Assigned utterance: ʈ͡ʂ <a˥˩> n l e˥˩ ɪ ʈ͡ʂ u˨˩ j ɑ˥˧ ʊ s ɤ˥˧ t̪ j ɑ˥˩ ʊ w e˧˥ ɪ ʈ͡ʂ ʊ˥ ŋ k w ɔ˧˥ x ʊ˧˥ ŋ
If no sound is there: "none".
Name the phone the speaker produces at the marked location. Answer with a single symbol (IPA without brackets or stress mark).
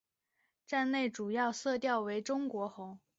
a˥˧